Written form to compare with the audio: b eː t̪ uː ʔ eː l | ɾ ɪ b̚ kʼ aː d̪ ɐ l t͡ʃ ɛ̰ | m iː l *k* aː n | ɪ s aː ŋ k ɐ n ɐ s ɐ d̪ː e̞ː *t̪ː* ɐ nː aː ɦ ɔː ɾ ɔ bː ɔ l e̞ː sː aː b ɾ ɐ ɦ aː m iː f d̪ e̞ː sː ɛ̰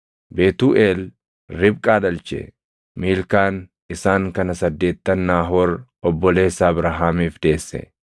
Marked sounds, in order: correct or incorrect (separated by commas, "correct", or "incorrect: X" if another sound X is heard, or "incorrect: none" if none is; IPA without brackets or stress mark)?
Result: correct, correct